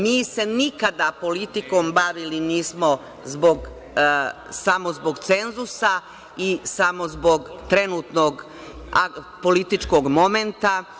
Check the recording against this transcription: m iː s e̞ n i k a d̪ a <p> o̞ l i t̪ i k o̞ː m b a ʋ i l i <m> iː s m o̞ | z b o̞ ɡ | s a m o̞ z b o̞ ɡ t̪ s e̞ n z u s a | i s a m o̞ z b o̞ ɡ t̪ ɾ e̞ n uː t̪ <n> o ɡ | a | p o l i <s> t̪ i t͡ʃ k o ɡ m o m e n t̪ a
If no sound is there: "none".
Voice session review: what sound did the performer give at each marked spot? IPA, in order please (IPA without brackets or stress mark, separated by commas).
p, n, n, none